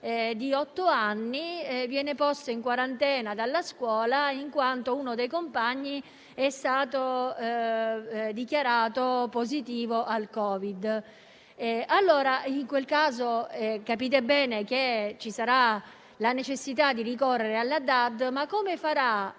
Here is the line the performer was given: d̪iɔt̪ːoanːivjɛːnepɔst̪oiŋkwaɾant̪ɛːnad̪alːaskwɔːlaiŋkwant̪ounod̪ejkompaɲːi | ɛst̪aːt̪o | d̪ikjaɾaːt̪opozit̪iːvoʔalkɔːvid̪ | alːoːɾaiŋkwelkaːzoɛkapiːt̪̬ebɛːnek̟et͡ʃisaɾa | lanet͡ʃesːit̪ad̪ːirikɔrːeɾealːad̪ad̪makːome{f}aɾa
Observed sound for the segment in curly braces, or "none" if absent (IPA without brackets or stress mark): f